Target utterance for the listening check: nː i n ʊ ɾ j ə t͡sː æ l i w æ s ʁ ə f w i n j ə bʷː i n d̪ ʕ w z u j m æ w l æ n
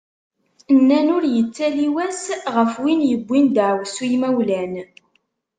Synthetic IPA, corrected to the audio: nː æ n ʊ ɾ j ə t͡sː æ l i w æ s ʁ ə f w i n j ə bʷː i n d̪ ʕ w s u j m æ w l æ n